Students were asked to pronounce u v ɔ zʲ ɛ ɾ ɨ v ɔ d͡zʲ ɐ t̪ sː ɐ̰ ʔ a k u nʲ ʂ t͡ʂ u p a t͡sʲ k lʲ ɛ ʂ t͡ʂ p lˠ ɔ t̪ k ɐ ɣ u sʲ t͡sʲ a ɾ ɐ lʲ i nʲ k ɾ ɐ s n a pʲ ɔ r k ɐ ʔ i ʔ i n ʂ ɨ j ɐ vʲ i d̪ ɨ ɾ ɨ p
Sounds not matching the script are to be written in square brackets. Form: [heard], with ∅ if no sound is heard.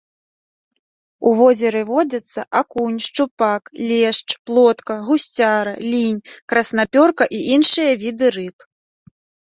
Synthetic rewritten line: u v ɔ zʲ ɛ ɾ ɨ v ɔ d͡zʲ ɐ t̪ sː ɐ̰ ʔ a k u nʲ ʂ t͡ʂ u p a [∅] k lʲ ɛ ʂ t͡ʂ p lˠ ɔ t̪ k ɐ ɣ u sʲ t͡sʲ a ɾ ɐ lʲ i nʲ k ɾ ɐ s n a pʲ ɔ r k ɐ ʔ i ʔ i n ʂ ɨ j ɐ vʲ i d̪ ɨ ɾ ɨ p